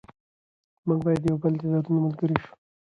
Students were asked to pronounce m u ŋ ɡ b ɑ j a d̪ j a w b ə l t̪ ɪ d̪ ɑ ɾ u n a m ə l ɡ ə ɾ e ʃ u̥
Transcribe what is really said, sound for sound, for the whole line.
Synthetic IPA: m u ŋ ɡ b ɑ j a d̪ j a w b ə l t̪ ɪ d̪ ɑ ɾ u n a m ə l ɡ ə ɾ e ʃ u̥